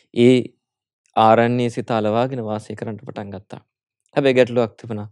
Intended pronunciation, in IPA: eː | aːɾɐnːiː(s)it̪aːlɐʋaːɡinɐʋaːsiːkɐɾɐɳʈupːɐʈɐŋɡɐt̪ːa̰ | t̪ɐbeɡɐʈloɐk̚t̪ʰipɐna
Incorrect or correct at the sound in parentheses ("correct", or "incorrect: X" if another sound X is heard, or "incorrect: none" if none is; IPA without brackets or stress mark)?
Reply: correct